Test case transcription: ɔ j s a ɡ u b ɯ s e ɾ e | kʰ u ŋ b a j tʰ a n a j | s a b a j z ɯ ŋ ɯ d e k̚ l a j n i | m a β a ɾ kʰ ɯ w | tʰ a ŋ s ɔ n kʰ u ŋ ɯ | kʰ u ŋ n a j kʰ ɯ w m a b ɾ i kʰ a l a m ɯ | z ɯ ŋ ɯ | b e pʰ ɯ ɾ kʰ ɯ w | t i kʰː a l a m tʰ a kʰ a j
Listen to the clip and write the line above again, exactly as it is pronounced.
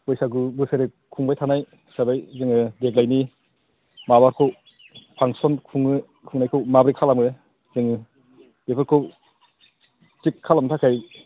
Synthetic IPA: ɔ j s a ɡ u b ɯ s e ɾ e | kʰ u ŋ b a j tʰ a n a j | s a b a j z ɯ ŋ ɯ d e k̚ l a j n i | m a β a ɾ kʰ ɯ w | pʰ a ŋ s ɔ n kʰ u ŋ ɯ | kʰ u ŋ n a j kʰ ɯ w m a b ɾ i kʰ a l a m ɯ | z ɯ ŋ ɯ | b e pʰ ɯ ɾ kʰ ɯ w | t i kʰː a l a m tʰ a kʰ a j